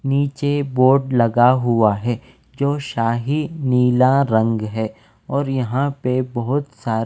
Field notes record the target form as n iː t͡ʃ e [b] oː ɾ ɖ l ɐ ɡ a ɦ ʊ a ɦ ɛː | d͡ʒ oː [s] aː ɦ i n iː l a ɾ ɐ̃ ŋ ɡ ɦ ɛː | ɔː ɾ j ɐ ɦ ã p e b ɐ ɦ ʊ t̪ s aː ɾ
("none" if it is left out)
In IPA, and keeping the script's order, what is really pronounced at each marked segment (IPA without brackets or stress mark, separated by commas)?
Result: b, ʃ